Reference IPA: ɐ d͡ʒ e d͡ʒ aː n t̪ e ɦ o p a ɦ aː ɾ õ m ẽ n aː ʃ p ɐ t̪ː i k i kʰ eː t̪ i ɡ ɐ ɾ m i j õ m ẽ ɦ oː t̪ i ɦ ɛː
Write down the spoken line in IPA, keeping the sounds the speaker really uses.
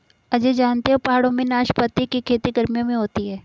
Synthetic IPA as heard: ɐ d͡ʒ e d͡ʒ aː n t̪ e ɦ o p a ɦ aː ɽ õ m ẽ n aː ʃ p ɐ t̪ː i k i kʰ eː t̪ i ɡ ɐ ɾ m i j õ m ẽ ɦ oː t̪ i ɦ ɛː